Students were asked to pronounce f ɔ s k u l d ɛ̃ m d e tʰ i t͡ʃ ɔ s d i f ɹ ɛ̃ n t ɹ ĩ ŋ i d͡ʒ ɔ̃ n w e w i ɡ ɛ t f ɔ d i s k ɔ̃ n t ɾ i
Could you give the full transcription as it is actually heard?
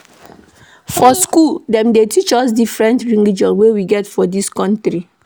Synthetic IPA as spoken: f ɔ s k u l d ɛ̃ m d e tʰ i t͡ʃ ɔ s d i f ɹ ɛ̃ n t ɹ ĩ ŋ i d͡ʒ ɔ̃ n w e w i ɡ ɛ t f ɔ d i s k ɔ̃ n t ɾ i